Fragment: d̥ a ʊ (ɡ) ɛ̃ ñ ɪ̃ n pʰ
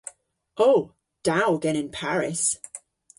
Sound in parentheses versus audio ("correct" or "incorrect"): correct